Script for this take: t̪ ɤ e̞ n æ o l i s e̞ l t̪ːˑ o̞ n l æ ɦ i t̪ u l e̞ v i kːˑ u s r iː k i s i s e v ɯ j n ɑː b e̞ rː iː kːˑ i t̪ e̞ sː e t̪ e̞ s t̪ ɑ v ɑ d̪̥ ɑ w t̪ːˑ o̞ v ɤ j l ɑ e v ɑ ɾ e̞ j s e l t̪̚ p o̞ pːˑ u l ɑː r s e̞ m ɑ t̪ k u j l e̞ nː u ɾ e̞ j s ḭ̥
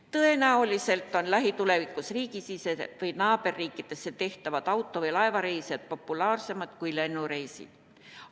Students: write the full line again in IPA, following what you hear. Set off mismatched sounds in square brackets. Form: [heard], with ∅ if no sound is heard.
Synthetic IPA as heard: t̪ ɤ e̞ n æ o l i s e̞ l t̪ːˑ o̞ n l æ ɦ i t̪ u l e̞ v i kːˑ u s r iː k i s i s e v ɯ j n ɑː b e̞ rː iː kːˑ i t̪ e̞ sː e t̪ e̞ [h] t̪ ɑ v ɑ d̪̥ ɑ w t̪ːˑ o̞ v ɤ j l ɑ e v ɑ ɾ e̞ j s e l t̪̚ p o̞ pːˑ u l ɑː r s e̞ m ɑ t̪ k u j l e̞ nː u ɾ e̞ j s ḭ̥